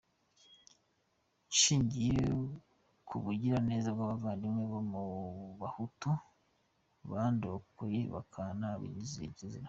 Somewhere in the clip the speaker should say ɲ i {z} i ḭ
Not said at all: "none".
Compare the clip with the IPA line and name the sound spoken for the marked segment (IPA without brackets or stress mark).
z